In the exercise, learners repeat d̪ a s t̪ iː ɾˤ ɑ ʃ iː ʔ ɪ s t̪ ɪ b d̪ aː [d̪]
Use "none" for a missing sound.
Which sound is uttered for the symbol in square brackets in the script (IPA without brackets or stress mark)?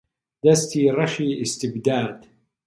d̪